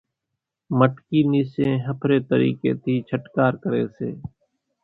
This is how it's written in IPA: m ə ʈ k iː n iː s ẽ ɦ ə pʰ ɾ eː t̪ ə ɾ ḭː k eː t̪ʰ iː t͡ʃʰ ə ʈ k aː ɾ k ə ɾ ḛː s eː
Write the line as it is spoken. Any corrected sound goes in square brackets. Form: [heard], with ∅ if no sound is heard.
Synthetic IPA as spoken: m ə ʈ k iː n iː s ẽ ɦ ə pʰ ɾ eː t̪ ə ɾ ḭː k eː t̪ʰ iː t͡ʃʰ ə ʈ k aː ɾ k ə ɾ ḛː s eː